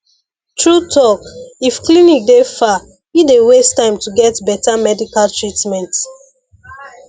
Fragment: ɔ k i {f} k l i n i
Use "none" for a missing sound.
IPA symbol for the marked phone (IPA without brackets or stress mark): f